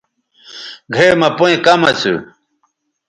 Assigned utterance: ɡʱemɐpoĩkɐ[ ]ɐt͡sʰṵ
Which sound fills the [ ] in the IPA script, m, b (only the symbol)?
m